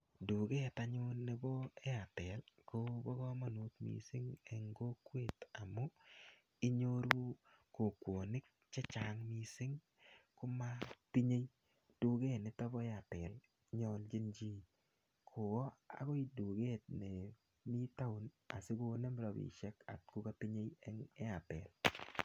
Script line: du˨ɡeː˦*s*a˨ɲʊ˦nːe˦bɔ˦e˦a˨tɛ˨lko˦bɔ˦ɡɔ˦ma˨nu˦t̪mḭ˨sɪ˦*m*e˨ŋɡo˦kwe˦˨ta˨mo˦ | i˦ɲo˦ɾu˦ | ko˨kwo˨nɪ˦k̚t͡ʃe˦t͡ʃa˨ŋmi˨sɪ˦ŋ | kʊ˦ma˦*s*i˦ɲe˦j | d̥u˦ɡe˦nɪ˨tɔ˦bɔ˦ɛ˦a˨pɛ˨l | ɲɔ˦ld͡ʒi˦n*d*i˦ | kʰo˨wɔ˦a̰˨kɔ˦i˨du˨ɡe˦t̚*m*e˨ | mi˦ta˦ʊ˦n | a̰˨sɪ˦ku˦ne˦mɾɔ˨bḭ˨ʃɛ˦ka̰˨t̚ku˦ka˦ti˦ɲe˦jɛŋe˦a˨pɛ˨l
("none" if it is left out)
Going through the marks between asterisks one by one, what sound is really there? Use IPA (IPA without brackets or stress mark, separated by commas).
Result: t, ŋ, t, d͡ʒ, n